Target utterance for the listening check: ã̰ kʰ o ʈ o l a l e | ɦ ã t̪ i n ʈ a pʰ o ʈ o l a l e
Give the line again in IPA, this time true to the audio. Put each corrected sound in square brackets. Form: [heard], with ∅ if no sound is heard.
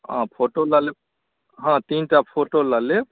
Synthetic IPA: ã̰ [pʰ] o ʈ o l a l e | ɦ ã t̪ i n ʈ a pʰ o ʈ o l a l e